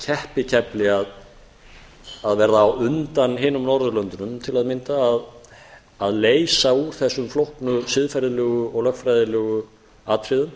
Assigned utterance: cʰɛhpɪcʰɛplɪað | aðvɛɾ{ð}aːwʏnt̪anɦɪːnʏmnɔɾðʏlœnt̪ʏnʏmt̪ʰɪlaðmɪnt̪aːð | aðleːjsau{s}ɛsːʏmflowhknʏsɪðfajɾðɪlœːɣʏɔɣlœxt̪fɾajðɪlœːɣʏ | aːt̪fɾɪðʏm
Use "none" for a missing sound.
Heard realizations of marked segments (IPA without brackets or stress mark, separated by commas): ð, θ